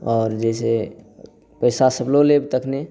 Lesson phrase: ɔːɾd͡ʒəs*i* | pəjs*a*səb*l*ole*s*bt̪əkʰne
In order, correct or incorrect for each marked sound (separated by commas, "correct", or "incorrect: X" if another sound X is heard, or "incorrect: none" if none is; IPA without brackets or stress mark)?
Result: incorrect: e, correct, correct, incorrect: none